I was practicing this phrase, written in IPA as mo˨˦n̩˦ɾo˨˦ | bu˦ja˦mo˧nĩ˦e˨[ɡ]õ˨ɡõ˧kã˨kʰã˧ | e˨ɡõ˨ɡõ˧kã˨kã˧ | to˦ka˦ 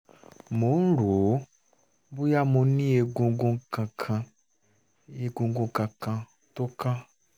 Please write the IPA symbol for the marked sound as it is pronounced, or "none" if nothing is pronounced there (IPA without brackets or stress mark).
ɡ